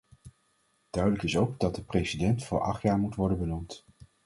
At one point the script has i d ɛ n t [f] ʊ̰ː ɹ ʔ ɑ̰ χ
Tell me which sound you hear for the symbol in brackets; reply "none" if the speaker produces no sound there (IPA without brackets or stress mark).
f